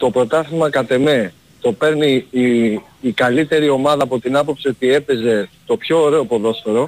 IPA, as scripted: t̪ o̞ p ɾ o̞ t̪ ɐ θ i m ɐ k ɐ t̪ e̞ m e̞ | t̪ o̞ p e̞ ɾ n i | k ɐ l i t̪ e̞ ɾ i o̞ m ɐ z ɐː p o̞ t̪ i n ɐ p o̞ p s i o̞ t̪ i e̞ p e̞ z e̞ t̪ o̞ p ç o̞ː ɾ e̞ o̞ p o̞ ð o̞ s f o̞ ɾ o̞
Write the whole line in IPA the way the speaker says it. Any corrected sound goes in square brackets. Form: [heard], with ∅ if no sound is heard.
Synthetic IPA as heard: t̪ o̞ p ɾ o̞ t̪ ɐ θ i m ɐ k ɐ t̪ e̞ m e̞ | t̪ o̞ p e̞ ɾ n i | k ɐ l i t̪ e̞ ɾ i o̞ m ɐ [ð] ɐː p o̞ t̪ i n ɐ p o̞ p s i o̞ t̪ i e̞ p e̞ z e̞ t̪ o̞ p ç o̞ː ɾ e̞ o̞ p o̞ ð o̞ s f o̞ ɾ o̞